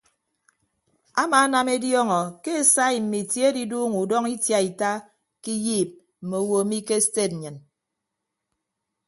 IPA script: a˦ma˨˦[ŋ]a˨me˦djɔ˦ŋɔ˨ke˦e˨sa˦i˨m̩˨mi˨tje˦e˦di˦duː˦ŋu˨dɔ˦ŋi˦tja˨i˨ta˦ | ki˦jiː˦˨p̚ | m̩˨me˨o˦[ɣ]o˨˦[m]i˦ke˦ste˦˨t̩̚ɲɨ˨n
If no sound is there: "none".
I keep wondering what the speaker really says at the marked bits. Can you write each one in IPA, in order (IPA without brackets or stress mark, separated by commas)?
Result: n, w, m